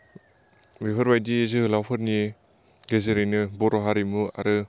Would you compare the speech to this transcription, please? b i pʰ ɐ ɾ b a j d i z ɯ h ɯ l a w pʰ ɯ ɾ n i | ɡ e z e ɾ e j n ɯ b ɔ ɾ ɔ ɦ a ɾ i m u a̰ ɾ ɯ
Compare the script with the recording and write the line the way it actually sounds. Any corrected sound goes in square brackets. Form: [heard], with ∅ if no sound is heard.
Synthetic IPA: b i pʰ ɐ ɾ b a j d i z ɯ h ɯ l a w pʰ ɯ ɾ n i | ɡ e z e ɾ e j n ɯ b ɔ ɾ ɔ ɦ a ɾ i m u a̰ ɾ ɯ